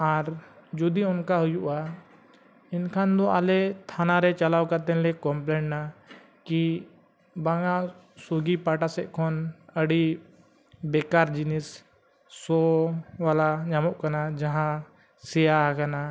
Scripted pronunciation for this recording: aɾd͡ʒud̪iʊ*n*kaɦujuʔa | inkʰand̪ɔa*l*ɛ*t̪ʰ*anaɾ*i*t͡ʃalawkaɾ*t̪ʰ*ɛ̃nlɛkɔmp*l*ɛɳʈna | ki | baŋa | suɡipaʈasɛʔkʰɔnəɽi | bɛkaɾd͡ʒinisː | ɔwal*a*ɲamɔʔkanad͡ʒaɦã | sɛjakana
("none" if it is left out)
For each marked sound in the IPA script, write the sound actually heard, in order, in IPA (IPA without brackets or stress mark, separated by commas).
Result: n, l, t̪ʰ, ɛ, t̪, l, a